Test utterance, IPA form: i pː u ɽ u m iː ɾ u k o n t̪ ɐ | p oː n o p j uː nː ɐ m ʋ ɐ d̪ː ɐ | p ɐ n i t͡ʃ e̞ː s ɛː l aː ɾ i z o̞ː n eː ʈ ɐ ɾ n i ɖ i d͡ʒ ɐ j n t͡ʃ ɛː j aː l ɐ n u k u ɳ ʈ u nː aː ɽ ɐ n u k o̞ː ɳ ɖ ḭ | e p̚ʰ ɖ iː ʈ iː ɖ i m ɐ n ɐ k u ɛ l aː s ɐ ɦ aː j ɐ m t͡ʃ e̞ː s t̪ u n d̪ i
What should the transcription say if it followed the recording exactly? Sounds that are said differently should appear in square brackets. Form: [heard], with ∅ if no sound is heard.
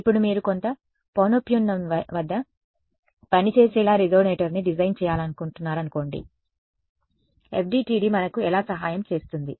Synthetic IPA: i pː u ɽ u m iː ɾ u k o n t̪ ɐ | p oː n o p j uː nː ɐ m ʋ ɐ d̪ː ɐ | p ɐ n i t͡ʃ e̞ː s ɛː l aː ɾ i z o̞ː n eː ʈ ɐ ɾ n i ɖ i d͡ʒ ɐ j n t͡ʃ ɛː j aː l ɐ n u k u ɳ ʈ u nː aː [ɾ] ɐ n u k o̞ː ɳ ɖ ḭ | e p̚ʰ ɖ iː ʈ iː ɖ i m ɐ n ɐ k u ɛ l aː s ɐ ɦ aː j ɐ m t͡ʃ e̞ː s t̪ u n d̪ i